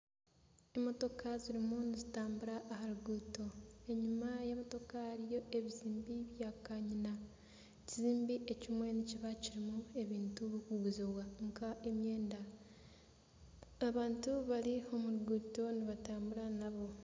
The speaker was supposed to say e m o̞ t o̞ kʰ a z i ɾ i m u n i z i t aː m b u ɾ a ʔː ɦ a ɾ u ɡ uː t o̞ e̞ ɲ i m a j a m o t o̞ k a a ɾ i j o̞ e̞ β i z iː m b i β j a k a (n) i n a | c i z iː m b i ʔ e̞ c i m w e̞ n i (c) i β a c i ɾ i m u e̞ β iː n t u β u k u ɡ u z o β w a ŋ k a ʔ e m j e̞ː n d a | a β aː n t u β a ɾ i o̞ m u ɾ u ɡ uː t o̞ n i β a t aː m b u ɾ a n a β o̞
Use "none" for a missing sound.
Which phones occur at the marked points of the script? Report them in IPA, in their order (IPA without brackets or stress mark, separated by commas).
ɲ, c